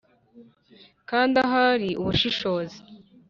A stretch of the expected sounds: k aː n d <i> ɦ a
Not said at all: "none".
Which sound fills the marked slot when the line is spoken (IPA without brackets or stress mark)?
a